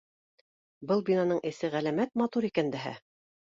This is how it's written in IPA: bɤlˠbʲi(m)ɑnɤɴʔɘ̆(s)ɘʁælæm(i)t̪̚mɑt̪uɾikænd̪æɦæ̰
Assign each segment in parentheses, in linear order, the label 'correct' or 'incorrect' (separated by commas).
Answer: incorrect, correct, incorrect